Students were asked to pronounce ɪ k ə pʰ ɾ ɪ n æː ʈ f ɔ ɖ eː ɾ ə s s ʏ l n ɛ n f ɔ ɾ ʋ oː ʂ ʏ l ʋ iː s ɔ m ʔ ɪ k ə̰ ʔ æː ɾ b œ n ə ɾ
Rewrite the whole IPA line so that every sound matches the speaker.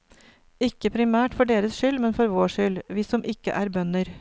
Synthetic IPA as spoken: ɪ k ə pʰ ɾ ɪ m æː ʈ f ɔ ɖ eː ɾ ə s ʃ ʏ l m ɛ n f ɔ ɾ ʋ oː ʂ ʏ l ʋ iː s ɔ m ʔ ɪ k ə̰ ʔ æː ɾ b œ n ə ɾ